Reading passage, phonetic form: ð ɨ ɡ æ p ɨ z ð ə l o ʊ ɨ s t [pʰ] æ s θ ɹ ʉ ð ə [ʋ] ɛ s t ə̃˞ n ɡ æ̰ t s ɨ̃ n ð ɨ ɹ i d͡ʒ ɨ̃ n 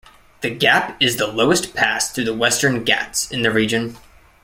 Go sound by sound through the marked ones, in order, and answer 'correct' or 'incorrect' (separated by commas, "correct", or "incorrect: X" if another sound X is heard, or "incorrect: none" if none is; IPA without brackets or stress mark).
correct, incorrect: w